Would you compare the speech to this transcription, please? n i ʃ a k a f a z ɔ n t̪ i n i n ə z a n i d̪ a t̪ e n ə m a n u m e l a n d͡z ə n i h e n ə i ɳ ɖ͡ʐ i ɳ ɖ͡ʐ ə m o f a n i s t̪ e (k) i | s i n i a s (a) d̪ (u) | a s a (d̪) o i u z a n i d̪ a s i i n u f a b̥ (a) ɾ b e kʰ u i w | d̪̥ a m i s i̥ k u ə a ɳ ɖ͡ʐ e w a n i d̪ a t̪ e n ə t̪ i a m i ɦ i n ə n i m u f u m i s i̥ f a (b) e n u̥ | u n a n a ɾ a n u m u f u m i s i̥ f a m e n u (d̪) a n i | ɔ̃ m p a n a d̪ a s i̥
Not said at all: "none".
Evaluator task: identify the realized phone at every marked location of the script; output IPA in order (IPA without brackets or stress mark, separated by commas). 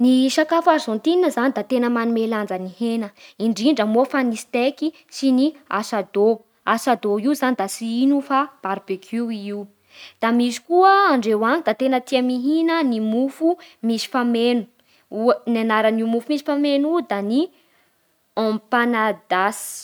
k, a, o, d̪, a, m, d̪